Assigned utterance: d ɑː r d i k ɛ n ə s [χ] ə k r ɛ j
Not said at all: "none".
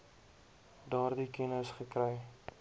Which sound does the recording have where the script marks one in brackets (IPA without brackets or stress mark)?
χ